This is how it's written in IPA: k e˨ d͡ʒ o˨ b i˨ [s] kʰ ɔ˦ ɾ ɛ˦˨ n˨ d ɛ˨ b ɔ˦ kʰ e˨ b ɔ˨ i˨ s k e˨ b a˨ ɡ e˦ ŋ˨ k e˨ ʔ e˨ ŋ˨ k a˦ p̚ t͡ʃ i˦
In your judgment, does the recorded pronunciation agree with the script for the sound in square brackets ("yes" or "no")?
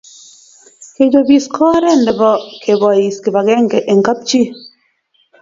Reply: yes